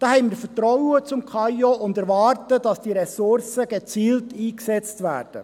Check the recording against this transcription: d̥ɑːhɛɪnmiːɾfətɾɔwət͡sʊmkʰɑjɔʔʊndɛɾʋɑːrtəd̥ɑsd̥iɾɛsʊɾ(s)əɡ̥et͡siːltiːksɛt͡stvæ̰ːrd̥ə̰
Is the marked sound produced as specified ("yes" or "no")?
yes